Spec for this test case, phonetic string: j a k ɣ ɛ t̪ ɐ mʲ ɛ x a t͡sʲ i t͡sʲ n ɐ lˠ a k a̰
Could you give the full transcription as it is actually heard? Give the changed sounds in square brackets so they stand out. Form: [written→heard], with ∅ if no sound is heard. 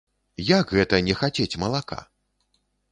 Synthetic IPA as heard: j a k ɣ ɛ t̪ ɐ [mʲ→nʲ] ɛ x a t͡sʲ [i→e] t͡sʲ [n→m] ɐ lˠ a k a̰